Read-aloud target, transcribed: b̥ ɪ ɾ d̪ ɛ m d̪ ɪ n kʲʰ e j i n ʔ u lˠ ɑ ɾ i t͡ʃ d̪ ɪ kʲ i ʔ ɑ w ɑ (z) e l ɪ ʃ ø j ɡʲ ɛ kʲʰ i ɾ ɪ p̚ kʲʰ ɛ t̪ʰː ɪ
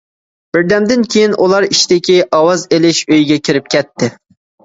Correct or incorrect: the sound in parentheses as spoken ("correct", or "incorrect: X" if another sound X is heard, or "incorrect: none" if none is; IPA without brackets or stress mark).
correct